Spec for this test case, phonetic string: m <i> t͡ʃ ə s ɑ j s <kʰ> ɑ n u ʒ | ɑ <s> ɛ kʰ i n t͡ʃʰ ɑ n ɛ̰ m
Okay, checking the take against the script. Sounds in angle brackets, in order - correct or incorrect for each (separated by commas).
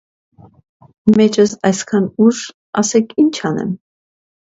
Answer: incorrect, correct, correct